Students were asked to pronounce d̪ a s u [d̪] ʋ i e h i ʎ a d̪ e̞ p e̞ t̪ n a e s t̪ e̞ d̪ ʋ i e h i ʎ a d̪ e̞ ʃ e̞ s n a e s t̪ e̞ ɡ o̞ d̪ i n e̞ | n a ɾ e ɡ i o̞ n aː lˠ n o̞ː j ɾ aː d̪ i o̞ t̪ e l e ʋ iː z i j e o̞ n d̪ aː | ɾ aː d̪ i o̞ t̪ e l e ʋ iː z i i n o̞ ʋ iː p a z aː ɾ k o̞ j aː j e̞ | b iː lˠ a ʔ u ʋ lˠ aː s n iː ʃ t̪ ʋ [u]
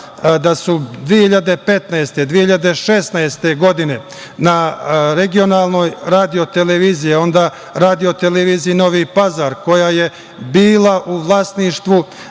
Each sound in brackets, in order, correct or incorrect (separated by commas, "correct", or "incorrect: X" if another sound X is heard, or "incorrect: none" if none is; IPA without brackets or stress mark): correct, correct